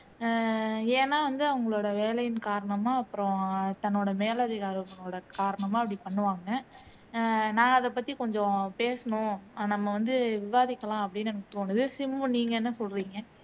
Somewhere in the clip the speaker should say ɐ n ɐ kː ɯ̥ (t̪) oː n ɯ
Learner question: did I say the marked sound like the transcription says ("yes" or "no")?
yes